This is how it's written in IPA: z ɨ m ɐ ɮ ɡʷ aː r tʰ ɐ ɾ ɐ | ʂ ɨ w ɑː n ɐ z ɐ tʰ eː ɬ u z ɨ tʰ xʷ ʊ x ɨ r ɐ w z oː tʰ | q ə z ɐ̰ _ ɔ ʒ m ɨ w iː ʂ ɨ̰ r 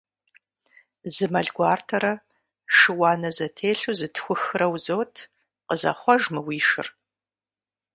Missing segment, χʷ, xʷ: χʷ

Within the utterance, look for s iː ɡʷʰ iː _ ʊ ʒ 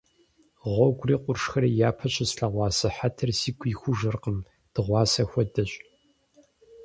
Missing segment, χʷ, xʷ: xʷ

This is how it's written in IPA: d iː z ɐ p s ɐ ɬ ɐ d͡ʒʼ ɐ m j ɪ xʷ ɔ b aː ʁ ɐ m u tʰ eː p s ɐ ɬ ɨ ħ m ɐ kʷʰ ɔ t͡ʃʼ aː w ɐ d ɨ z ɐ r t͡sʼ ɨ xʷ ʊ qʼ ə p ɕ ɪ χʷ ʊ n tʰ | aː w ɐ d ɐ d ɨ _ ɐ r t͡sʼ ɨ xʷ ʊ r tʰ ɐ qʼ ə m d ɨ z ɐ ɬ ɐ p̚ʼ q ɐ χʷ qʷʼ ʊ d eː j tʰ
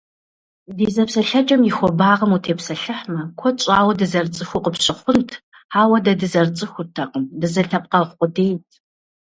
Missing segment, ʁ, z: z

